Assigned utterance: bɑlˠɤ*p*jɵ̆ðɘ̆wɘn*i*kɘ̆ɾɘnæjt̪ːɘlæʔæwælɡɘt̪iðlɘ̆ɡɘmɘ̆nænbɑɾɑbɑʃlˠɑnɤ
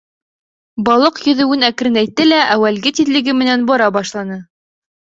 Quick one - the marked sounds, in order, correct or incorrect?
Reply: incorrect: q, incorrect: æ

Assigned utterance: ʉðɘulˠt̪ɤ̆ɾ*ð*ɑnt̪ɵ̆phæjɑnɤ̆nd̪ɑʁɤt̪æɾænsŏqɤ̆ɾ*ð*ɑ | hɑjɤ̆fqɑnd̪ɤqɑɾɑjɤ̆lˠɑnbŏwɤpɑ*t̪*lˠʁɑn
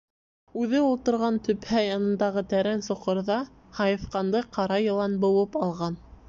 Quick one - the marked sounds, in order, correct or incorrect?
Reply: incorrect: ʁ, correct, incorrect: none

